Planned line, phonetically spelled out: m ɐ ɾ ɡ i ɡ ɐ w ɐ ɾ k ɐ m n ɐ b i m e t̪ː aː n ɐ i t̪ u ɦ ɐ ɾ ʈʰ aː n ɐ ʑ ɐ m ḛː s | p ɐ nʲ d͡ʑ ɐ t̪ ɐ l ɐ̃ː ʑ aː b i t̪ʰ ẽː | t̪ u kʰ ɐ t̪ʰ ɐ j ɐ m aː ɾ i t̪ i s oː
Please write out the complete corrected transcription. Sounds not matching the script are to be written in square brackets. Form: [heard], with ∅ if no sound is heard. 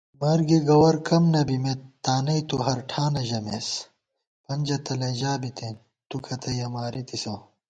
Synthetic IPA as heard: m ɐ ɾ ɡ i ɡ ɐ w ɐ ɾ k ɐ m n ɐ b i m e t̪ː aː n ɐ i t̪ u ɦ ɐ ɾ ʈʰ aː n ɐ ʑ ɐ m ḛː s | p ɐ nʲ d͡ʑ ɐ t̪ ɐ l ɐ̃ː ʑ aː b i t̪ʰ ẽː | t̪ u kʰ ɐ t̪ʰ ɐ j ɐ m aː ɾ i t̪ i s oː